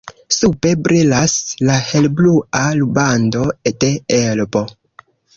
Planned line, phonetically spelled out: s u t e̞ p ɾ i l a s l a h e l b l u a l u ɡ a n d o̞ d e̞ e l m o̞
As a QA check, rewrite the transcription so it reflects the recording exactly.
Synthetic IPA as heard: s u p e̞ b ɾ i l a s l a h e l b l u a l u b a n d o̞ d e̞ e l b o̞